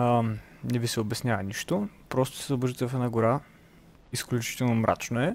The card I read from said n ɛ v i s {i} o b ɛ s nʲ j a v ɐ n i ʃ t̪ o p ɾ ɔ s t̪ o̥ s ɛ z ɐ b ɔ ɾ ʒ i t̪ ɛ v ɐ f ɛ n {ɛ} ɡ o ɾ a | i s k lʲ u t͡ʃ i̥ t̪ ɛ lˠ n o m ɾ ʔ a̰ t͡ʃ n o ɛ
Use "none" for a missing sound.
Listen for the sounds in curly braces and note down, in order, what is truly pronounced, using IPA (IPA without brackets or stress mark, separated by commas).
ɛ, a